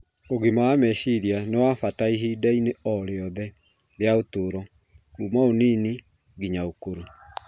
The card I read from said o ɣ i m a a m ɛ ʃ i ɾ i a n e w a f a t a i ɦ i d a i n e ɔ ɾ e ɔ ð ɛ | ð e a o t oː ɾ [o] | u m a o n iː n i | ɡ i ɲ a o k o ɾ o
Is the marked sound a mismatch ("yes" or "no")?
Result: yes